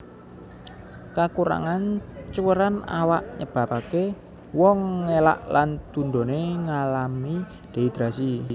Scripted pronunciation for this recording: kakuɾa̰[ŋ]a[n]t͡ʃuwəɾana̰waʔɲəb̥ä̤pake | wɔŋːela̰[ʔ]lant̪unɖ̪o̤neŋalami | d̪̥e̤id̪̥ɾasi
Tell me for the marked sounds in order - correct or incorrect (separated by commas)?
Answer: correct, correct, correct